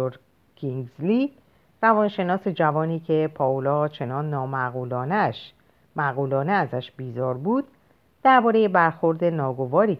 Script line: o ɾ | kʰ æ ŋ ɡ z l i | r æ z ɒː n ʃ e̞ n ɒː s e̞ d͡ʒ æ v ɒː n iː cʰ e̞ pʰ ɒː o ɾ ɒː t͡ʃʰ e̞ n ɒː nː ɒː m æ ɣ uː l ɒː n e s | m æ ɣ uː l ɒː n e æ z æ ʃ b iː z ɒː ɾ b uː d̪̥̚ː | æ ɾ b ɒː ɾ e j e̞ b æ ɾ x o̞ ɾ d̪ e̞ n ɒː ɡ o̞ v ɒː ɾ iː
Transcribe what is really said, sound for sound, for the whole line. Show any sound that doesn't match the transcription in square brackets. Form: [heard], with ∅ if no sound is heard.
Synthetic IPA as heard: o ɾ | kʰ [i] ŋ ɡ z l i | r æ [v] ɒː n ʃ e̞ n ɒː s e̞ d͡ʒ æ v ɒː n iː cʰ e̞ pʰ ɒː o [l] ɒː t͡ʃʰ e̞ n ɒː nː ɒː m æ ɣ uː l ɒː n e [ʃ] | m æ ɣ uː l ɒː n e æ z æ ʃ b iː z ɒː ɾ b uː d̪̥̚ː | æ ɾ b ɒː ɾ e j e̞ b æ ɾ x o̞ ɾ d̪ e̞ n ɒː ɡ o̞ v ɒː ɾ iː